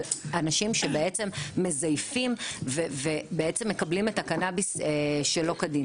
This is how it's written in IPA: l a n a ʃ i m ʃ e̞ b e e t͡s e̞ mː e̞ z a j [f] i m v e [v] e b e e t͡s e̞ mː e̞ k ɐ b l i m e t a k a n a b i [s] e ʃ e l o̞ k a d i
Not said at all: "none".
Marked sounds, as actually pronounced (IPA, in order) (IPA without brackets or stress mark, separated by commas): f, v, s